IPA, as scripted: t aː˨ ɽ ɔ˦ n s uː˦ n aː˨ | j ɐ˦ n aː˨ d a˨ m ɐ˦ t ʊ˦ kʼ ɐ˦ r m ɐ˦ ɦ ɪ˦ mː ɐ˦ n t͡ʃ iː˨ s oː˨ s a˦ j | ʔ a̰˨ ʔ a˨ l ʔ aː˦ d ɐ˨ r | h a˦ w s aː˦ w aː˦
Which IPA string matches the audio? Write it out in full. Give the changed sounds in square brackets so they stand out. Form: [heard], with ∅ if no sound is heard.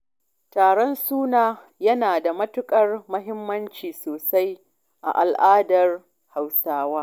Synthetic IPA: t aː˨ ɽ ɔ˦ n s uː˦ n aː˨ | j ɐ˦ n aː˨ d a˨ m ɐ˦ t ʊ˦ kʼ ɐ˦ r m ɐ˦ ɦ ɪ˦ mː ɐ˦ n t͡ʃ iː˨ s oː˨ s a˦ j | ʔ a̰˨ ʔ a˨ l ʔ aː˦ d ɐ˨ r | h [a˨] w s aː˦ w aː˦